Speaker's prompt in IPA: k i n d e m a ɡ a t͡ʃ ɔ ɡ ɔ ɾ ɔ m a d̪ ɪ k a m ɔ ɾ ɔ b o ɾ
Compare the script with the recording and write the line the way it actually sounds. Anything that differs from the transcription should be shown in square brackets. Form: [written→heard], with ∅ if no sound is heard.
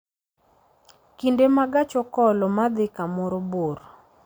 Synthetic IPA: k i n d e m a ɡ a t͡ʃ ɔ [ɡ→k] ɔ [ɾ→l] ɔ m a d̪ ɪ k a m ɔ ɾ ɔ b o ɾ